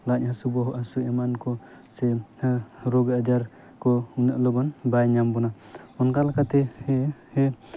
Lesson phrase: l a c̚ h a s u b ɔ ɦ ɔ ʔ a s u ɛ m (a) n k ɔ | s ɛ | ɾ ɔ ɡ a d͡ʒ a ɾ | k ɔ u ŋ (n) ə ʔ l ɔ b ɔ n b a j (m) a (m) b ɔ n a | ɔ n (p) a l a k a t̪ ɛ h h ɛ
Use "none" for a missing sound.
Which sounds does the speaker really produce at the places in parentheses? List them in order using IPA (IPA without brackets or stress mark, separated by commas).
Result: a, n, ɲ, m, k